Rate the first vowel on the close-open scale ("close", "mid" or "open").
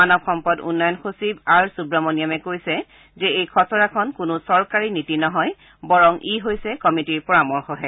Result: open